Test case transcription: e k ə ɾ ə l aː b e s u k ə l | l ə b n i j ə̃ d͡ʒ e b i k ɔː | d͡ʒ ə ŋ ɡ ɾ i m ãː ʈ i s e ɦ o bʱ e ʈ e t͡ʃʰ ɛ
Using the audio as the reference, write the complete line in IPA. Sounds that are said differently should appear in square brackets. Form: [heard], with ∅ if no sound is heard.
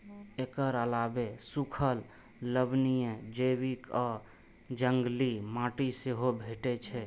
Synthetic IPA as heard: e k ə ɾ ə l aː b e s u [kʰ] ə l | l ə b n i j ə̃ d͡ʒ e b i k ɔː | d͡ʒ ə ŋ ɡ [l] i m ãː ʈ i s e ɦ o bʱ e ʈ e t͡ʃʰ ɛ